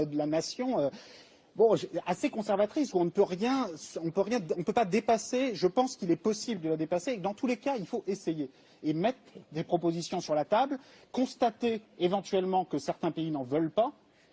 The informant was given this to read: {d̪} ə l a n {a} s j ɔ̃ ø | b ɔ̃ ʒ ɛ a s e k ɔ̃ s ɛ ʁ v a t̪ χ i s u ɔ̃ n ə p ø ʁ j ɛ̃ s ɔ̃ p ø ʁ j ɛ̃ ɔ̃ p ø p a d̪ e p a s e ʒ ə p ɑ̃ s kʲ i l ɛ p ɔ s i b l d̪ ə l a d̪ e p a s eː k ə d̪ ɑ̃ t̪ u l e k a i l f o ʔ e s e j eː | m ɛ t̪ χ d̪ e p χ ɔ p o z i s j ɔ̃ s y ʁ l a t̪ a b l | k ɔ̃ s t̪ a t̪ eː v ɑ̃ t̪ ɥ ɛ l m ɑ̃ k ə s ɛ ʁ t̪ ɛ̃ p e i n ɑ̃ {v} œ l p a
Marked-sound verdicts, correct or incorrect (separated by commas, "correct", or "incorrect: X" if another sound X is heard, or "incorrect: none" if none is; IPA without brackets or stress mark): correct, correct, correct